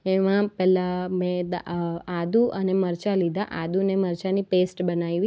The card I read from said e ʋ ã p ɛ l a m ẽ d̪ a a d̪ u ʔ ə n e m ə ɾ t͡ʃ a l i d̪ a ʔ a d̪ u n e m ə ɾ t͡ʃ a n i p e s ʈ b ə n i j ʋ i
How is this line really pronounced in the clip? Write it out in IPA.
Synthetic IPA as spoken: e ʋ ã p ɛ l a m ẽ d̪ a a d̪ u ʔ ə n e m ə ɾ t͡ʃ a l i d̪ a ʔ a d̪ u n e m ə ɾ t͡ʃ a n i p e s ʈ b ə n a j ʋ i